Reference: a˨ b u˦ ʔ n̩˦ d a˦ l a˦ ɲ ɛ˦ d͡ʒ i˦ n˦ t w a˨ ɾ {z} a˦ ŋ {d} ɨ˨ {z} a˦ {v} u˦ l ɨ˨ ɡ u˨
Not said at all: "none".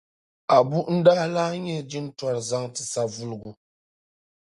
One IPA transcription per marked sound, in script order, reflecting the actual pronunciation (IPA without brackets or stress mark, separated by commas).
z, t, s, v